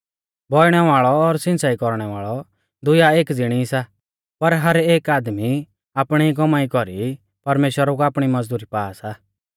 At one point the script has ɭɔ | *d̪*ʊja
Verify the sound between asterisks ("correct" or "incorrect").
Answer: correct